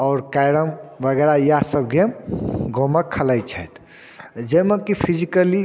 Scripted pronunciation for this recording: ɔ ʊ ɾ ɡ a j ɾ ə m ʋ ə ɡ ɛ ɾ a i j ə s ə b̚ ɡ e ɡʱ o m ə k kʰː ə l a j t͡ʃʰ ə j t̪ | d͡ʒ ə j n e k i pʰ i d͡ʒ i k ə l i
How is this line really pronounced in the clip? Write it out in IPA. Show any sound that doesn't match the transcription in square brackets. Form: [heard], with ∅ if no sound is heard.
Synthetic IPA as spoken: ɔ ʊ ɾ [k] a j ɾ ə m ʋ ə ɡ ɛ ɾ a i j [a] s ə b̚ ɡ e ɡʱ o m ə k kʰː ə l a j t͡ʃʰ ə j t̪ | d͡ʒ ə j [m] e k i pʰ i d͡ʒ i k ə l i